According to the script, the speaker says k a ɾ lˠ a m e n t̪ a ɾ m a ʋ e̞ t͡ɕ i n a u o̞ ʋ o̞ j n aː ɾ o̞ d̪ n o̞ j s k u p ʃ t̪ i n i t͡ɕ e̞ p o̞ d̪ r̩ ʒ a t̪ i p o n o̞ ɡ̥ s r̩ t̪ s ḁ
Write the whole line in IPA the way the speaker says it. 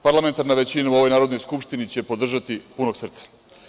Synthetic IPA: p a ɾ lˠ a m e n t̪ a ɾ n a ʋ e̞ t͡ɕ i n a u o̞ ʋ o̞ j n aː ɾ o̞ d̪ n o̞ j s k u p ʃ t̪ i n i t͡ɕ e̞ p o̞ d̪ r̩ ʒ a t̪ i p u n o̞ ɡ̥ s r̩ t̪ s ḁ